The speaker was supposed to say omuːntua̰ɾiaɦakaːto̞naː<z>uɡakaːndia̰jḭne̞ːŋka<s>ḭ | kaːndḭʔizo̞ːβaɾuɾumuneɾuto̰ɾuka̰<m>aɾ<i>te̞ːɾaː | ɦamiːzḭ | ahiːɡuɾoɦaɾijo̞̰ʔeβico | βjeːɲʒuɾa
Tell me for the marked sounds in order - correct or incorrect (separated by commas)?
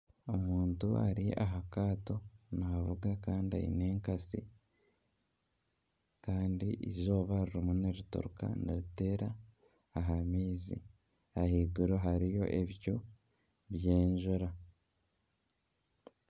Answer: incorrect, correct, incorrect, correct